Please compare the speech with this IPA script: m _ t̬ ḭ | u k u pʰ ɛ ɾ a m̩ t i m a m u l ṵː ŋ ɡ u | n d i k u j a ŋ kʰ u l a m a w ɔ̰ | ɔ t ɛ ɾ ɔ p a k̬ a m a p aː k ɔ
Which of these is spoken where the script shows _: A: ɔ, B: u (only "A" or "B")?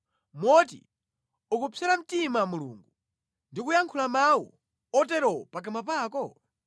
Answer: A